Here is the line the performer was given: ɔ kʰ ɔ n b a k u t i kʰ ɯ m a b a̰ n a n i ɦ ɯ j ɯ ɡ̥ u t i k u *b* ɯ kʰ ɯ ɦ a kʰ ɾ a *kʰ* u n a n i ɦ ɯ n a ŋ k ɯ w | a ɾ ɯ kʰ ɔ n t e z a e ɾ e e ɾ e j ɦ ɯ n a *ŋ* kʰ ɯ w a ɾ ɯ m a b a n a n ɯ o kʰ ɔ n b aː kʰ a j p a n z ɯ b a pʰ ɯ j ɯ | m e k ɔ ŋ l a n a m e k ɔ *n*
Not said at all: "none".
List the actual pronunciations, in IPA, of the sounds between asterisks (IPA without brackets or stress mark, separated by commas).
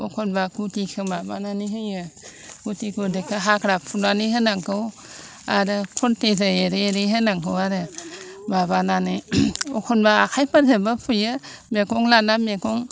d, pʰ, ŋ, ŋ